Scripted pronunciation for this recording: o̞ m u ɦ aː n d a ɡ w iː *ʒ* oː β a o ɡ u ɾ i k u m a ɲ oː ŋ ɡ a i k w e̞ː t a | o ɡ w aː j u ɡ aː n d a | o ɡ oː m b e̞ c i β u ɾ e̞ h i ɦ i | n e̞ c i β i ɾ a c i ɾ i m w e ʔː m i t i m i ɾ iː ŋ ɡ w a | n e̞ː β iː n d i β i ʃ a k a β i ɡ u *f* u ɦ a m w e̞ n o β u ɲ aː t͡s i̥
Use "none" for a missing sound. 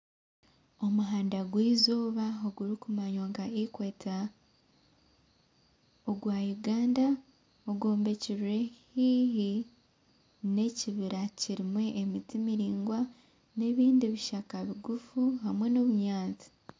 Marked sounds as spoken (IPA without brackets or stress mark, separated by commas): z, f